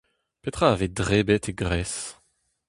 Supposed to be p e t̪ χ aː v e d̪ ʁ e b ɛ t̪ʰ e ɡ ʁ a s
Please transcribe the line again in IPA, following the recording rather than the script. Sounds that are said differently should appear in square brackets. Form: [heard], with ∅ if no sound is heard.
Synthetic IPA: p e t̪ χ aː v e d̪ ʁ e b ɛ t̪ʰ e ɡ ʁ [ɛ] s